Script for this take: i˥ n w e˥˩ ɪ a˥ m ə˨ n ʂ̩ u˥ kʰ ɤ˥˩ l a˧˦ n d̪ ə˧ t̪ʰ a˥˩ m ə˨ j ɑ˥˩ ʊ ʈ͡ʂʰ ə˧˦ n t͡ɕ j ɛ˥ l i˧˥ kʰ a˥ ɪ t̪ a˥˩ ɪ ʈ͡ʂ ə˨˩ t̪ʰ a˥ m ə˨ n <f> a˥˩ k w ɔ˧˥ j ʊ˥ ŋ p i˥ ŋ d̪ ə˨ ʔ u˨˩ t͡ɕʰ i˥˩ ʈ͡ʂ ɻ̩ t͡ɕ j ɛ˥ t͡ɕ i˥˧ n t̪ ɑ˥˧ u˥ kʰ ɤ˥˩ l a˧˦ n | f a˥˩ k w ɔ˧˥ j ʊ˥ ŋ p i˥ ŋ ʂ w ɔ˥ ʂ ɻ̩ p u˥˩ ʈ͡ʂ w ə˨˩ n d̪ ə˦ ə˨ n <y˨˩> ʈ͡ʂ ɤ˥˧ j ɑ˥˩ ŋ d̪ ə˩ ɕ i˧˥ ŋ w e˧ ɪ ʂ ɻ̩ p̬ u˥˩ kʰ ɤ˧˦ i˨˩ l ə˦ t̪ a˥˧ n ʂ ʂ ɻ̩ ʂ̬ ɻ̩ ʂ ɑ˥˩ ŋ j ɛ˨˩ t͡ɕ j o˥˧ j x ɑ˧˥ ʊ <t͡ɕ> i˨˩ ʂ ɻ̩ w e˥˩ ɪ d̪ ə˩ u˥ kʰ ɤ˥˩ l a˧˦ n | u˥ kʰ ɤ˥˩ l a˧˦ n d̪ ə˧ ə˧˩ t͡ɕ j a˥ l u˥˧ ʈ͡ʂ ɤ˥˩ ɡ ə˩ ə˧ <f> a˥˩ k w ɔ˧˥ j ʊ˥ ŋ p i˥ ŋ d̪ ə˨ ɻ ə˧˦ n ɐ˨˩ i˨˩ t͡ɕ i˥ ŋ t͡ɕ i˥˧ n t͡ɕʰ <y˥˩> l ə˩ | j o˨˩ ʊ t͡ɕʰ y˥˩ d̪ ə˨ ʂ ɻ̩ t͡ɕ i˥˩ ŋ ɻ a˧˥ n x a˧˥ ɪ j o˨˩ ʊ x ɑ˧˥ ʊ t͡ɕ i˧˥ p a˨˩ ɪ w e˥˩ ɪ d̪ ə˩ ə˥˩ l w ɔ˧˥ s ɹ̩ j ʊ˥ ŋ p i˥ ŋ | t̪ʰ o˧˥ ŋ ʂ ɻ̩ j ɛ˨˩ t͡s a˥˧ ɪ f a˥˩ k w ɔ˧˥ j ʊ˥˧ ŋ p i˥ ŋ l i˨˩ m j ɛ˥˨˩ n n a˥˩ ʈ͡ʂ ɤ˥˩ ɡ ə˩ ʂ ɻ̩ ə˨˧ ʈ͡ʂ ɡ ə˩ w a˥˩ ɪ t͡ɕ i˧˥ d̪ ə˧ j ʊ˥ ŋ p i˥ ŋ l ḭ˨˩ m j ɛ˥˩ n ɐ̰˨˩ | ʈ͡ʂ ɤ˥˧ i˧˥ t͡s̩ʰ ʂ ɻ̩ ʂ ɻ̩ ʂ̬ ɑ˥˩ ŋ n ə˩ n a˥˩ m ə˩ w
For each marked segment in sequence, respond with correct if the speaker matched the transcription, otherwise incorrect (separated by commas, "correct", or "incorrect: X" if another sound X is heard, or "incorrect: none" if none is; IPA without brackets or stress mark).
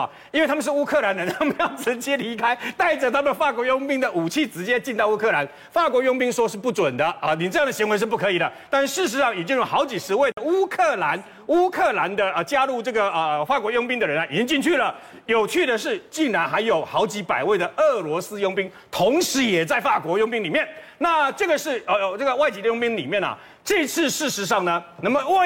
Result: correct, incorrect: i˨˩, correct, correct, correct